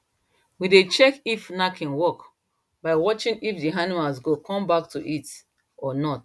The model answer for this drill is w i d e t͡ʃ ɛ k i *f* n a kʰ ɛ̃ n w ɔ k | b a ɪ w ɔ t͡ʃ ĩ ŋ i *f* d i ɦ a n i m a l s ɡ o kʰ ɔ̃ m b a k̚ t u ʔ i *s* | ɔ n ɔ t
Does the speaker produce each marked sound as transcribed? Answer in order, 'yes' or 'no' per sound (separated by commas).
yes, yes, no